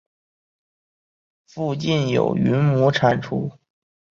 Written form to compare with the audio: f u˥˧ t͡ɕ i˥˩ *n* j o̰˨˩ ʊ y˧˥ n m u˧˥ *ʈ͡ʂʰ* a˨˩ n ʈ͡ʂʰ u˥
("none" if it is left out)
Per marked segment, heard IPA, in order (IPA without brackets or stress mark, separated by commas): n, ʈ͡ʂʰ